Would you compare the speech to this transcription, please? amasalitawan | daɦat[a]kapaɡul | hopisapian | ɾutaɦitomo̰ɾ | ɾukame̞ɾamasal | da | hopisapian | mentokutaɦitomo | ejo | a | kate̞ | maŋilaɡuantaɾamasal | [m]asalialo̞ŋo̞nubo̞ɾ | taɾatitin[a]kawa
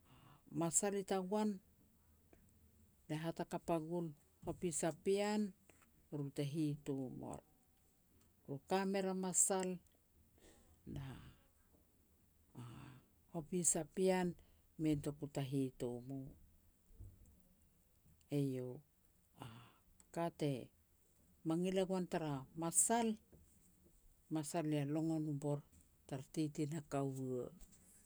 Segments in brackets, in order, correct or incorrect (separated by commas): correct, correct, correct